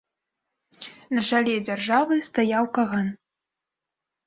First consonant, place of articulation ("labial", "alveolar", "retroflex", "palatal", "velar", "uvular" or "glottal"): alveolar